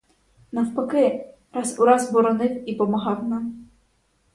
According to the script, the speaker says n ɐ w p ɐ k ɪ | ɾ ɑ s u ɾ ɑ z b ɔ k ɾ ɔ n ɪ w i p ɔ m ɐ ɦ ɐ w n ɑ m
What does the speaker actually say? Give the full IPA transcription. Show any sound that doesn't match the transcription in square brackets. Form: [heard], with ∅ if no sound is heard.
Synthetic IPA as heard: n ɐ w p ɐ k ɪ | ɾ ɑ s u ɾ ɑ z b ɔ [∅] ɾ ɔ n ɪ w i p ɔ m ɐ ɦ [ɑ] w n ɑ m

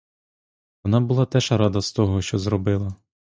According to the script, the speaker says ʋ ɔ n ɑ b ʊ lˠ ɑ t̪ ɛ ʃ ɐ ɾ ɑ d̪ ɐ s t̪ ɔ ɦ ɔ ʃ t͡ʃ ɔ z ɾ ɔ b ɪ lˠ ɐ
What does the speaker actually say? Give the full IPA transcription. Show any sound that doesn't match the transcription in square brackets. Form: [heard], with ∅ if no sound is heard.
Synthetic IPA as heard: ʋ ɔ n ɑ b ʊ lˠ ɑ t̪ ɛ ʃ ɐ ɾ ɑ d̪ ɐ s t̪ ɔ ɦ ɔ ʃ t͡ʃ ɔ z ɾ ɔ b ɪ lˠ ɐ

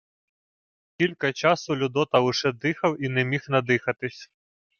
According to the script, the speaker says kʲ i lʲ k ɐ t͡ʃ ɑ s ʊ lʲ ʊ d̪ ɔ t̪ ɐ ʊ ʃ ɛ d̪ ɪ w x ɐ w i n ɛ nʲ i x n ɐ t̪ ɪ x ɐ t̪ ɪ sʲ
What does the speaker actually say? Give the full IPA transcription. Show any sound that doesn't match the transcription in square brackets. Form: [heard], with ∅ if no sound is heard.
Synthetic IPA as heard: kʲ i lʲ k ɐ t͡ʃ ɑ s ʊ lʲ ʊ d̪ ɔ t̪ ɐ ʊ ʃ ɛ d̪ ɪ [∅] x ɐ w i n ɛ [mʲ] i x n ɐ [d̪] ɪ x ɐ t̪ ɪ sʲ

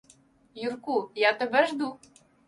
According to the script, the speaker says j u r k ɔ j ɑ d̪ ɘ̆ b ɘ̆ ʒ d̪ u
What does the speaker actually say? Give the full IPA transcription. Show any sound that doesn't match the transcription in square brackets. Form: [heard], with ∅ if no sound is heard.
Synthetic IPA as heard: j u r k [u] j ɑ [t̪] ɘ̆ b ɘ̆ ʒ d̪ u

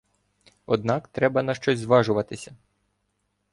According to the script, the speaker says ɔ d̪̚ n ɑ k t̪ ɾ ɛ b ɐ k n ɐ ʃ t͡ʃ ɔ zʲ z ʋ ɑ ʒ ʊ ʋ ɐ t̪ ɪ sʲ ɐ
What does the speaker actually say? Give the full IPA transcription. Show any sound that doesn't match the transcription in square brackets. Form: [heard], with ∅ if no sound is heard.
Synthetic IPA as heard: ɔ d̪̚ n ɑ k t̪ ɾ ɛ b ɐ [∅] n ɐ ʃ t͡ʃ ɔ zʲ z ʋ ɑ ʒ ʊ ʋ ɐ t̪ ɪ sʲ ɐ

